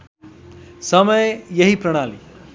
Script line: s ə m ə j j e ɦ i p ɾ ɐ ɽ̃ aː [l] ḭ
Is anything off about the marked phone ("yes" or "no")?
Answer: no